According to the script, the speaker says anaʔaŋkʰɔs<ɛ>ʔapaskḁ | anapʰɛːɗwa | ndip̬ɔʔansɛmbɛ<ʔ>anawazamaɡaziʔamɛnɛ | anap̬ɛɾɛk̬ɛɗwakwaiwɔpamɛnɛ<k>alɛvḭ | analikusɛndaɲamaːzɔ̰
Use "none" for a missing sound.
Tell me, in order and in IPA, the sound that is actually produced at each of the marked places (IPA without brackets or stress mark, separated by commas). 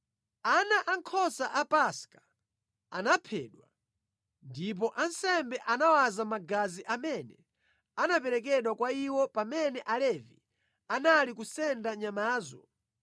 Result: a, ʔ, ʔ